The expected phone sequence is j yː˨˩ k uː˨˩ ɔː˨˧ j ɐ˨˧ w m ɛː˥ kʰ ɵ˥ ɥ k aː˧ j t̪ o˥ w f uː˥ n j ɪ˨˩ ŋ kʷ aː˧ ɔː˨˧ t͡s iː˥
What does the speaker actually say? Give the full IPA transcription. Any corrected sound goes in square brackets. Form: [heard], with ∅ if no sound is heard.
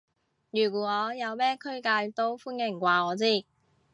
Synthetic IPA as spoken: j yː˨˩ k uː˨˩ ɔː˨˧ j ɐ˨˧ w m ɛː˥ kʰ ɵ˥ ɥ k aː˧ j t̪ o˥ w f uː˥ n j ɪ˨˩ ŋ kʷ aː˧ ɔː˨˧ t͡s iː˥